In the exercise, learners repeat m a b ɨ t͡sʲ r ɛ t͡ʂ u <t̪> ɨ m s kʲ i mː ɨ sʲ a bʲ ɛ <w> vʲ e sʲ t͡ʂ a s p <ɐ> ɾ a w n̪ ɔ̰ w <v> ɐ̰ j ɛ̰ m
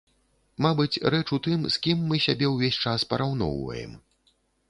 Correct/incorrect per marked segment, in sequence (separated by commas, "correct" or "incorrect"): correct, correct, correct, correct